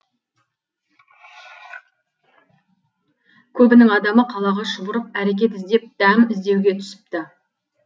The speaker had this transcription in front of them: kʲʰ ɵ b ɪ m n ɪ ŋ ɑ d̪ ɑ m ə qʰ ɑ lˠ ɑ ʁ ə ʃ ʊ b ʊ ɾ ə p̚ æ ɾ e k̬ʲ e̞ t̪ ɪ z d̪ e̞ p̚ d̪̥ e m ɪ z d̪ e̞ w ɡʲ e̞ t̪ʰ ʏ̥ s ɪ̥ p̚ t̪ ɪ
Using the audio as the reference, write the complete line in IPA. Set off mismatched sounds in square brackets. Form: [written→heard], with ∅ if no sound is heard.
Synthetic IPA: kʲʰ ɵ b ɪ [m→∅] n ɪ ŋ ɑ d̪ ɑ m ə qʰ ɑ lˠ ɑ ʁ [ə→ɑ] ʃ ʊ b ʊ ɾ ə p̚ æ ɾ e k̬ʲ e̞ t̪ ɪ z d̪ e̞ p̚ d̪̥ [e→æ] m ɪ z d̪ e̞ w ɡʲ e̞ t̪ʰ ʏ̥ s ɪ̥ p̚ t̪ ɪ